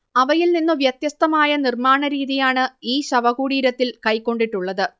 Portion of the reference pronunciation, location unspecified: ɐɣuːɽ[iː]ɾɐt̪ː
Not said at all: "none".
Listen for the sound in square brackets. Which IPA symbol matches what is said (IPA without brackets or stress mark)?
iː